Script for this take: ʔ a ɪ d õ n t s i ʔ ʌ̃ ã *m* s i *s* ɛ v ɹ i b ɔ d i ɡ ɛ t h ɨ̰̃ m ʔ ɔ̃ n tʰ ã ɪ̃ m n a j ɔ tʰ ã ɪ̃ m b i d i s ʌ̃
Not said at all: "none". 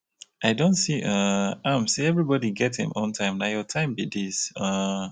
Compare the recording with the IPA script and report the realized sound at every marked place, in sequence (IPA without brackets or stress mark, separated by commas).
m, none